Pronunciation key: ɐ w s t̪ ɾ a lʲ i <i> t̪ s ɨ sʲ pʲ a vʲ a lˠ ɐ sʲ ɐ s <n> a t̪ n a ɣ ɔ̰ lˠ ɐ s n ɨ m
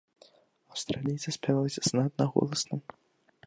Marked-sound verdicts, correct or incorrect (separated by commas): incorrect, correct